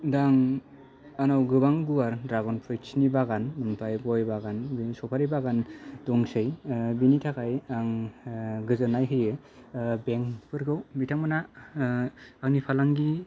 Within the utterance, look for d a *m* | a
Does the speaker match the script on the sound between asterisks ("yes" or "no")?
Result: no